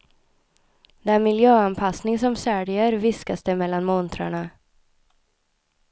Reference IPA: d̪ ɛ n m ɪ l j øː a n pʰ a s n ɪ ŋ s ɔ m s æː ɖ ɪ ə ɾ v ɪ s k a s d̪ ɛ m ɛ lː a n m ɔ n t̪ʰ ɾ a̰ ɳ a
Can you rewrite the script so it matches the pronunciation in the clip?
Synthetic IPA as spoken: d̪ ɛ n m ɪ l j øː a n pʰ a s n ɪ ŋ s ɔ m s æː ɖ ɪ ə ɾ v ɪ s k a s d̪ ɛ m ɛ lː a n m ɔ n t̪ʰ ɾ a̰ ɳ a